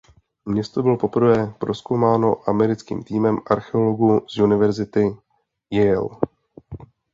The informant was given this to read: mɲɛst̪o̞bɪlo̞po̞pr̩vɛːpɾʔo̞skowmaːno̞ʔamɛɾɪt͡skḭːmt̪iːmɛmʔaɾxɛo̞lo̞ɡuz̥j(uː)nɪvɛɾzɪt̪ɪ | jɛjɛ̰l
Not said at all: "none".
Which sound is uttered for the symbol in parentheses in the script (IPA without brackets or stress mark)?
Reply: u